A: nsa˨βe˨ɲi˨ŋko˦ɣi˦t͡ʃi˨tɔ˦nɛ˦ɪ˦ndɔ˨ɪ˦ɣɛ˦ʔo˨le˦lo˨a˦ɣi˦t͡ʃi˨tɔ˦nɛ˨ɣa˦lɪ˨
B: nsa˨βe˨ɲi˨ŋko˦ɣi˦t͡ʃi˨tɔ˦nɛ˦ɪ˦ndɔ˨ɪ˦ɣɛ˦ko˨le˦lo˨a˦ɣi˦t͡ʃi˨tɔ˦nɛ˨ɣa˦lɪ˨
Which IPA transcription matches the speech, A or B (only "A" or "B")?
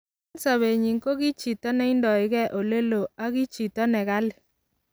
A